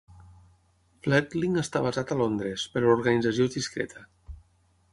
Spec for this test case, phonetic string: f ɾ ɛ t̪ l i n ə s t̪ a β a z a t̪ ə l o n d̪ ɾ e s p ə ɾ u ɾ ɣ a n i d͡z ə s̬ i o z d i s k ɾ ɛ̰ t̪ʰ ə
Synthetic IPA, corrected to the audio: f l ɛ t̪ l i ŋ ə s t̪ a β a z a t̪ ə l o n d̪ ɾ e s p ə ɾ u ɾ ɣ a n i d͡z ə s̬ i o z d i s k ɾ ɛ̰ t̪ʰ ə

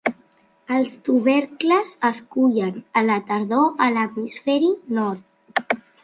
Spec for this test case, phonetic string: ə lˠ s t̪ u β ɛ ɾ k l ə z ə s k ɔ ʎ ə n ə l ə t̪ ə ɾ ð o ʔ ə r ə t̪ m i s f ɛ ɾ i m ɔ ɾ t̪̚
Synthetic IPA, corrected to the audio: ə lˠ s t̪ u β ɛ ɾ k l ə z ə s k u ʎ ə n ə l ə t̪ ə ɾ ð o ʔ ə l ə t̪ m i s f ɛ ɾ i n ɔ ɾ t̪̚

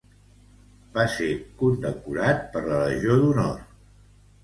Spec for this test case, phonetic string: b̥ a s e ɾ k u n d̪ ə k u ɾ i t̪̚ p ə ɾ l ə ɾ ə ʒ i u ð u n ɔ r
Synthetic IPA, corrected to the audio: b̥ a s e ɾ k u n d̪ ə k u ɾ a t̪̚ p ə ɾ l ə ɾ ə ʒ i o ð u n ɔ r

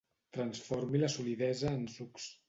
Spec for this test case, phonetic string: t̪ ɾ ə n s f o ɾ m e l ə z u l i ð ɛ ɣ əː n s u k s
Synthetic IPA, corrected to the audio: t̪ ɾ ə n s f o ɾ m i l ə s u l i ð ɛ z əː n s u k s

